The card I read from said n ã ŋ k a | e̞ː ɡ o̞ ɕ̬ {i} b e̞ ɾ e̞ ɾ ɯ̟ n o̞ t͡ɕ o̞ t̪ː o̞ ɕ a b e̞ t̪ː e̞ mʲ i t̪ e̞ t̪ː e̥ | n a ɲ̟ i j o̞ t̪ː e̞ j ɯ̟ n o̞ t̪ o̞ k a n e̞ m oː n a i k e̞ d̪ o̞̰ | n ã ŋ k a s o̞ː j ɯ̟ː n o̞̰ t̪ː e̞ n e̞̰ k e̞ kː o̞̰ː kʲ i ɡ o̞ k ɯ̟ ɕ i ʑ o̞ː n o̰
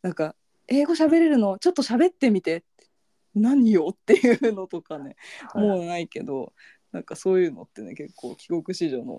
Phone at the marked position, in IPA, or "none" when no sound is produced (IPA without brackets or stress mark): a